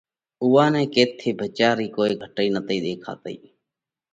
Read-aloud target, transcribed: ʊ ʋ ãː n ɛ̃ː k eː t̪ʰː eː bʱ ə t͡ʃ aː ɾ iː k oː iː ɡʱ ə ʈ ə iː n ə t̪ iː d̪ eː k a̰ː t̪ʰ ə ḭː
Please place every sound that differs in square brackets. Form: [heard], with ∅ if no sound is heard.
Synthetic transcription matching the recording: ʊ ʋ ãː n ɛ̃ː k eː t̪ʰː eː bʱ ə t͡ʃ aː ɾ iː k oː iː ɡʱ ə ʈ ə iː n ə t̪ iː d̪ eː [kʰ] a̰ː [t̪] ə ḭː